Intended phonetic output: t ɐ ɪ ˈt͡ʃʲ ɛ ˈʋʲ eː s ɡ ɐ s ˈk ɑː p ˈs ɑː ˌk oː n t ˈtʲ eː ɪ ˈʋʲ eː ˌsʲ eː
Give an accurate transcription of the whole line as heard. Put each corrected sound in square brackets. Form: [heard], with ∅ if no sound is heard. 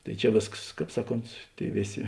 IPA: t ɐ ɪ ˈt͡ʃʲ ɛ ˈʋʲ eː s [k] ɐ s ˈk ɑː p ˈs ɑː ˌk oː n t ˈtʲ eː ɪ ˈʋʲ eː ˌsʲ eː

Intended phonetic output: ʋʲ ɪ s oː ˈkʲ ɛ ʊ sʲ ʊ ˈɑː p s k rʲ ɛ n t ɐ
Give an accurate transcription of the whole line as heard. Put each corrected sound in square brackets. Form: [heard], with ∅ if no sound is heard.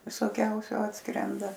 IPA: ʋʲ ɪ s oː ˈkʲ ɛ ʊ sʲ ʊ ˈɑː [t] s k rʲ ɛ n [d] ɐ

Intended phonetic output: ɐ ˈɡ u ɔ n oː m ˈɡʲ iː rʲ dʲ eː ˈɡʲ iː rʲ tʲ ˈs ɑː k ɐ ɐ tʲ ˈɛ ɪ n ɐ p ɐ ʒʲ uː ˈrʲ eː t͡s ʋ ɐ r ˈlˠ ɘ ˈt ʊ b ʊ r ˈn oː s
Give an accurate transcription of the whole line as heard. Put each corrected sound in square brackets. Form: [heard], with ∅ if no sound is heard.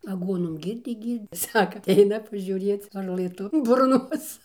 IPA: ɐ ˈɡ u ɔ n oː m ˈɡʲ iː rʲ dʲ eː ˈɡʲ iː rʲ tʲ ˈs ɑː k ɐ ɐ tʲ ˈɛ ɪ n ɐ p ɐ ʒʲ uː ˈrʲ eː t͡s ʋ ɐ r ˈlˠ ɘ ˈt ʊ b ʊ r ˈn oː s

